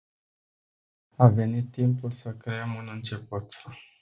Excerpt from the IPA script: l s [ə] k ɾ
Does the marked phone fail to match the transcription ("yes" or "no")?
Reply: no